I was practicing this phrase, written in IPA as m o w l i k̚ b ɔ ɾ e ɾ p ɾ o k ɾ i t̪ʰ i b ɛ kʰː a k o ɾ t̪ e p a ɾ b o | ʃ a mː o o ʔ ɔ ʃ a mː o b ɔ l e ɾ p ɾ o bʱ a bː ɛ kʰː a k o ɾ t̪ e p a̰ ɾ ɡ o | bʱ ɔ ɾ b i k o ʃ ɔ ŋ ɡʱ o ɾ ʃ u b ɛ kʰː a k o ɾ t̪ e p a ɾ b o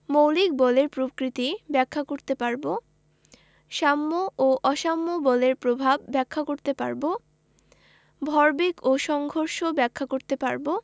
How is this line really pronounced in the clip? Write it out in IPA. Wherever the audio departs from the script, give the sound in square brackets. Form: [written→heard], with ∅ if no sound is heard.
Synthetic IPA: m o w l i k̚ b ɔ [ɾ→l] e ɾ p ɾ o k ɾ i [t̪ʰ→t̪] i b ɛ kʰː a k o ɾ t̪ e p a ɾ b o | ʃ a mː o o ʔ ɔ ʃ a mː o b ɔ l e ɾ p ɾ o bʱ a bː ɛ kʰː a k o ɾ t̪ e p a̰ ɾ [ɡ→b] o | bʱ ɔ ɾ b i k o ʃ ɔ ŋ ɡʱ o ɾ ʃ [u→o] b ɛ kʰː a k o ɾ t̪ e p a ɾ b o